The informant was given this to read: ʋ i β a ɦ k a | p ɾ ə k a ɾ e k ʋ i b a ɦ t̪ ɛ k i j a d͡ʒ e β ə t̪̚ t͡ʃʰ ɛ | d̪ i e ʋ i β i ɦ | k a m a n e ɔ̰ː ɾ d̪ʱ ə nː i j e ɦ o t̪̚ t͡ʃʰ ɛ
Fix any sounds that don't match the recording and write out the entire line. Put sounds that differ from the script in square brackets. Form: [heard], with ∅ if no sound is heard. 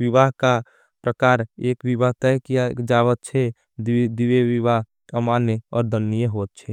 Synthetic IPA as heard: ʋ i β a ɦ k a | p ɾ ə k a ɾ e k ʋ i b a ɦ t̪ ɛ k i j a d͡ʒ [a] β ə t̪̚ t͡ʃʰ ɛ | d̪ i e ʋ i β [a] ɦ | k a m a n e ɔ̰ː ɾ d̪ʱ ə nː i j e ɦ o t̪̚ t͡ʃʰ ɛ